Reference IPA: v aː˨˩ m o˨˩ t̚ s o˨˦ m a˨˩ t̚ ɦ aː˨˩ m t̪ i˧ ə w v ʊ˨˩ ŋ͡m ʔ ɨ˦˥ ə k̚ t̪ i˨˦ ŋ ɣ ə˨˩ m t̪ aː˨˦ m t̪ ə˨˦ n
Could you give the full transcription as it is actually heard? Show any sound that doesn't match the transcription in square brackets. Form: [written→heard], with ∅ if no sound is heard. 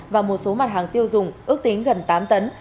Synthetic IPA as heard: v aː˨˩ m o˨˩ t̚ s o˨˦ m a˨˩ t̚ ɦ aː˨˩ [m→ŋ] t̪ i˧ ə w [v→z] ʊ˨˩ ŋ͡m ʔ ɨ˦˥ ə k̚ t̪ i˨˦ ŋ ɣ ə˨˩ [m→n] t̪ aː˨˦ m t̪ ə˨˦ n